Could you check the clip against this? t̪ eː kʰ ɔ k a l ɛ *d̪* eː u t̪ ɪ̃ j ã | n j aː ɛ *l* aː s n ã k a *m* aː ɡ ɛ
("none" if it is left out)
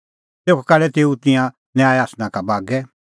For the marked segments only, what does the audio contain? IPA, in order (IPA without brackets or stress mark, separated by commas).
t̪, none, b